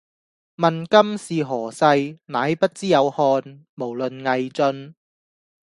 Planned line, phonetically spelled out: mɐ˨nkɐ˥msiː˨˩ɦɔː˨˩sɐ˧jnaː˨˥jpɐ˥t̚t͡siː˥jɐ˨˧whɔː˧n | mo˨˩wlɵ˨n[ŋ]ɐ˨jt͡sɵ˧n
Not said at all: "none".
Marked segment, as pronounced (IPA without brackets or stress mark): ŋ